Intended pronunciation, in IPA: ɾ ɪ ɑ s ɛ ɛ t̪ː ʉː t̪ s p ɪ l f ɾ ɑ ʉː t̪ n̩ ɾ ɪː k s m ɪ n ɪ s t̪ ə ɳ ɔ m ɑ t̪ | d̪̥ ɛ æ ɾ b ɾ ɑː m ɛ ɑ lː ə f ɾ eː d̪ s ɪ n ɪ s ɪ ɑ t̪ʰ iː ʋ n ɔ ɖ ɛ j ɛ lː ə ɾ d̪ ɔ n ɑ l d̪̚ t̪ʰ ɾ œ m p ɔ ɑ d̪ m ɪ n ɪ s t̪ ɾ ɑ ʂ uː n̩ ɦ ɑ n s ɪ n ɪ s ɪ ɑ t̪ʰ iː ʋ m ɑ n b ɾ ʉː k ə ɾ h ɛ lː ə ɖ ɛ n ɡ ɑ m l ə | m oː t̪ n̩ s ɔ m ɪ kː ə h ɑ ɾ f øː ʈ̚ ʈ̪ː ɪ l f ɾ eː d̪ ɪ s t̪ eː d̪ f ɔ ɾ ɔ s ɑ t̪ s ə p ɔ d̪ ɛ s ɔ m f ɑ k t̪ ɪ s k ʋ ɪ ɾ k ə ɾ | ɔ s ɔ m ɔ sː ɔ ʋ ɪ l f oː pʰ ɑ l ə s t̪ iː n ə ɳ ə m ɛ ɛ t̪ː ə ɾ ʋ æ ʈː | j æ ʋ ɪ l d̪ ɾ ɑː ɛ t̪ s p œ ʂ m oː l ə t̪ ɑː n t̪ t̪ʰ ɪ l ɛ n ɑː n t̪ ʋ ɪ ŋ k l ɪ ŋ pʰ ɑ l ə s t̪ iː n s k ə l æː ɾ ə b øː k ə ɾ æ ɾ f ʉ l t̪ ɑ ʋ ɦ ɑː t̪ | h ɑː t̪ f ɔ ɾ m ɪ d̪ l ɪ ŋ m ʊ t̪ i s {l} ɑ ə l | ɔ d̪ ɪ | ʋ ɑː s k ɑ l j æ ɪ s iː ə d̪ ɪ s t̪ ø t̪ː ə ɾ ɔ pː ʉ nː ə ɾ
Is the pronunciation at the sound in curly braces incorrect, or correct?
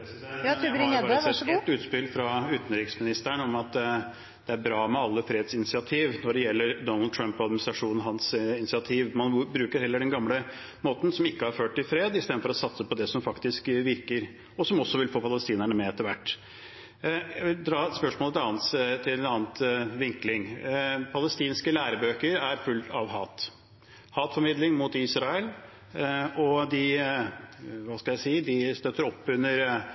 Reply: incorrect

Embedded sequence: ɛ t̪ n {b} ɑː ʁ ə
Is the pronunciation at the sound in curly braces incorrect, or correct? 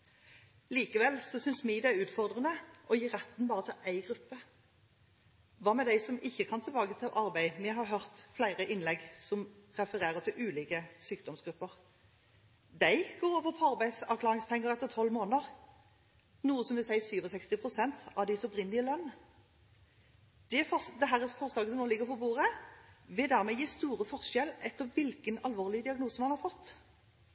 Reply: correct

